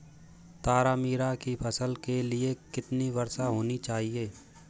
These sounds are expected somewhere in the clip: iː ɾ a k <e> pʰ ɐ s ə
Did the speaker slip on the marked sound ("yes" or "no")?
yes